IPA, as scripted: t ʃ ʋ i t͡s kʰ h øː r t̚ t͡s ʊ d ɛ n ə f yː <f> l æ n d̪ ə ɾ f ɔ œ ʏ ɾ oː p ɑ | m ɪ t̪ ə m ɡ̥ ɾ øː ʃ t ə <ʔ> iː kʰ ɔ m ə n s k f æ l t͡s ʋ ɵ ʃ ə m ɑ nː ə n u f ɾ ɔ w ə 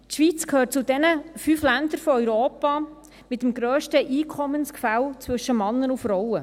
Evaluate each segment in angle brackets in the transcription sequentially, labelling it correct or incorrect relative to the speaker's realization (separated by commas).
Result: correct, correct